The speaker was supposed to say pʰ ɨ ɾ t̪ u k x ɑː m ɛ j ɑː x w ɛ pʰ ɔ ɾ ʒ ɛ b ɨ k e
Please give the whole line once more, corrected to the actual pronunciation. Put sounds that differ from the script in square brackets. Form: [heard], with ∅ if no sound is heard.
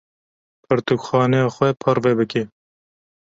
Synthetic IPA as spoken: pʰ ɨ ɾ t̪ u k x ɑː [n] ɛ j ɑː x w ɛ pʰ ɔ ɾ [v] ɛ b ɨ k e